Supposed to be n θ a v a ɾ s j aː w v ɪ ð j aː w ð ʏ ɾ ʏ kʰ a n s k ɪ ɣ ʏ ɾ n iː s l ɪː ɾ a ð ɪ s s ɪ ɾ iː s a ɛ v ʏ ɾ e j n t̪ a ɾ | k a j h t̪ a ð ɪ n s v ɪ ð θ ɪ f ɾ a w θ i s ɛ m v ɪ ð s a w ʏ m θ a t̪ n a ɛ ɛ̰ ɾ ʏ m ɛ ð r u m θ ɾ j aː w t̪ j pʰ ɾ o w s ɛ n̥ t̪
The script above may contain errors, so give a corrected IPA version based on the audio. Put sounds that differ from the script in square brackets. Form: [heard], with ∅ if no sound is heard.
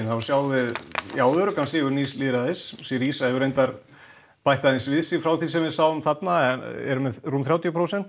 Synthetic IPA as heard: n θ a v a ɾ s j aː w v ɪ ð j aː w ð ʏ ɾ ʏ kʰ a n s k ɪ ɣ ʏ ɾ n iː s l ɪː ɾ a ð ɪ s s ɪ ɾ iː s a ɛ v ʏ ɾ e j n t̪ a ɾ | [p] a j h t̪ a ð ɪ n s v ɪ ð [s] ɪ f ɾ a w θ i s ɛ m v ɪ ð s a w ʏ m θ a t̪ n a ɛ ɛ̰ ɾ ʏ m ɛ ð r u m θ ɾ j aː w t̪ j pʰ ɾ o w s ɛ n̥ t̪